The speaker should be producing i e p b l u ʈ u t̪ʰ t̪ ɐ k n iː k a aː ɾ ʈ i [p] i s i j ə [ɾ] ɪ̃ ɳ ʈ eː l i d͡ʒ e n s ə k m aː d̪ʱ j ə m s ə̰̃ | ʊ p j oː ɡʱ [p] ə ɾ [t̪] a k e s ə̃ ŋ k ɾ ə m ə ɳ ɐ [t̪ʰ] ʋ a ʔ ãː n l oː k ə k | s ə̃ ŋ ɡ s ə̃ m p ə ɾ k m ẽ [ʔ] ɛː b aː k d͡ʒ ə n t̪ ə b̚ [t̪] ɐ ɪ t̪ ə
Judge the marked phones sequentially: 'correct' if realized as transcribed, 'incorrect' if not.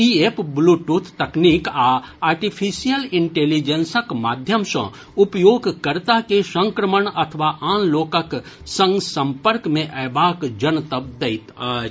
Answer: incorrect: pʰ, incorrect: l, incorrect: k, correct, correct, correct, incorrect: d̪

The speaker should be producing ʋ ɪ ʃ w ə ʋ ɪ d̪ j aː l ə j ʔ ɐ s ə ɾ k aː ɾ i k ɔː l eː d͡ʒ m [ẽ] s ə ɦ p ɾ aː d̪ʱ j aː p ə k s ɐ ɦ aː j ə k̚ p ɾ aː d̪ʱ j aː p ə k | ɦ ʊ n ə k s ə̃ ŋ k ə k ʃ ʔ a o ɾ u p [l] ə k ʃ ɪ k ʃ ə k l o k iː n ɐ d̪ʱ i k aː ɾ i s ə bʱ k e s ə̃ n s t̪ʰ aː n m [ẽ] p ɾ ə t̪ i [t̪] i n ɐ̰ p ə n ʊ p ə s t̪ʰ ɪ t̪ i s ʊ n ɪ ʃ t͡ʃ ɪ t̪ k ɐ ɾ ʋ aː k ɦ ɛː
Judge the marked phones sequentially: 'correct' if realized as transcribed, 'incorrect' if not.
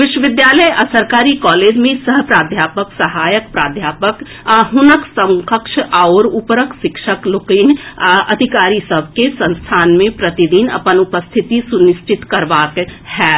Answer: correct, incorrect: ɾ, correct, incorrect: d̪

